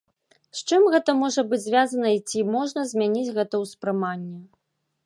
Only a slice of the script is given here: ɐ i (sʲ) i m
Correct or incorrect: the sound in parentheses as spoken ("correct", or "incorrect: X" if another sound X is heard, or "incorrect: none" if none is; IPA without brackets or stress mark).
incorrect: t͡sʲ